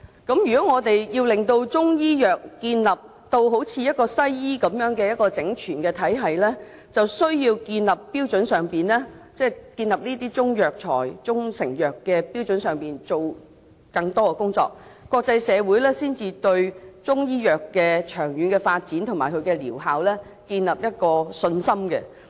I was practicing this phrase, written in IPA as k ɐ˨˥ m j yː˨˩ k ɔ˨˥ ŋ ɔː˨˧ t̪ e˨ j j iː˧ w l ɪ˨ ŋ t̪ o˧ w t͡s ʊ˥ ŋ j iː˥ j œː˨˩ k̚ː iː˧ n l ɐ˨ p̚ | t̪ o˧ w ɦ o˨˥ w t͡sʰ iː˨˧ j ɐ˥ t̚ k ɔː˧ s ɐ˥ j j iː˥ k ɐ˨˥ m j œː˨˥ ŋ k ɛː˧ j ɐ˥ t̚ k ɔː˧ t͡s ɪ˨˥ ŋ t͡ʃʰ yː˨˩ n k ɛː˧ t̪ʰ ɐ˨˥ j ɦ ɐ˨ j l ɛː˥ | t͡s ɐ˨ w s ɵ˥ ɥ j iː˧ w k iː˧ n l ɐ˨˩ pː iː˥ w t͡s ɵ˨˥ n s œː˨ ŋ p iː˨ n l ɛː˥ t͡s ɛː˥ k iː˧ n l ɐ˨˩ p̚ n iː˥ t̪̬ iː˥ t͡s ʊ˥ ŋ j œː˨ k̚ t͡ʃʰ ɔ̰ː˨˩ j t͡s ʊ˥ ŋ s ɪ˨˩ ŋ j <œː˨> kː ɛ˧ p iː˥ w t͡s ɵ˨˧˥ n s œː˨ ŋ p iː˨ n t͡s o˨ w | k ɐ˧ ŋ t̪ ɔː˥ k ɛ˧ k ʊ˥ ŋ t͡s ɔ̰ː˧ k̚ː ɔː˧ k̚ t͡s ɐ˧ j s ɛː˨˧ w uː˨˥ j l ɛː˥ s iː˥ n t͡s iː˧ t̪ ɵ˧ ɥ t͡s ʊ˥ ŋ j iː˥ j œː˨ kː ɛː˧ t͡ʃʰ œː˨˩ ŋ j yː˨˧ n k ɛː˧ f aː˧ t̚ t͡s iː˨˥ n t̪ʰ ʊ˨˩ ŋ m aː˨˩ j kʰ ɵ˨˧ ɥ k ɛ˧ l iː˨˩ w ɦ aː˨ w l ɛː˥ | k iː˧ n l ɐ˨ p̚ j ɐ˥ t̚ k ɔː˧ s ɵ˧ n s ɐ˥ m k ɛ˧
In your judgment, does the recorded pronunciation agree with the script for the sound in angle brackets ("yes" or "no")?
yes